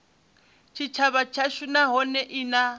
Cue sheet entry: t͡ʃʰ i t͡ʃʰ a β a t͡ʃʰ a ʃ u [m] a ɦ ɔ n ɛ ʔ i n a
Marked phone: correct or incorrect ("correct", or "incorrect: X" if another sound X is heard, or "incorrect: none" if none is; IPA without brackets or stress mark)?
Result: incorrect: n